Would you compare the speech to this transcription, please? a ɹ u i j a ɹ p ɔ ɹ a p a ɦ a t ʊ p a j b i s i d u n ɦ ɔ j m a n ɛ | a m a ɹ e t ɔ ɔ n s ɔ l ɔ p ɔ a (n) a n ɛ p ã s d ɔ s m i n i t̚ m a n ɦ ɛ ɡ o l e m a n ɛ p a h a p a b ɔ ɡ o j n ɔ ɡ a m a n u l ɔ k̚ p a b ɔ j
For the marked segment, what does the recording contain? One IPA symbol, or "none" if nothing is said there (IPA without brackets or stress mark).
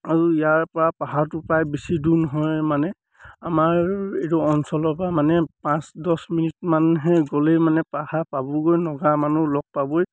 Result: m